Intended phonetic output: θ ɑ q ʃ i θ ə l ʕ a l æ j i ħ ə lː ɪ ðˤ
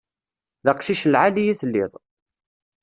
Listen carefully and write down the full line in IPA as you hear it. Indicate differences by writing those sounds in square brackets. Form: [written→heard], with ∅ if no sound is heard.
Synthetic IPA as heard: [θ→ð] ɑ q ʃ i [θ→ʃ] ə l ʕ a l [æ→i] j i [ħ→θ] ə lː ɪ ðˤ